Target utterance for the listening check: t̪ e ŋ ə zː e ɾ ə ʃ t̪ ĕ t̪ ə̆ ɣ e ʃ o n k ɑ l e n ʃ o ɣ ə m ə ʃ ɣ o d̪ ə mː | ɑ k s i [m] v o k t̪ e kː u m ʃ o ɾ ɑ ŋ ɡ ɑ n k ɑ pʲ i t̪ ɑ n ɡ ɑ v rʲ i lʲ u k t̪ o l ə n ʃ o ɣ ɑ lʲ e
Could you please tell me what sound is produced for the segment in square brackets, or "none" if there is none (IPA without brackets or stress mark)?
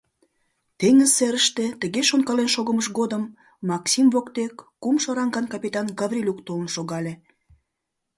m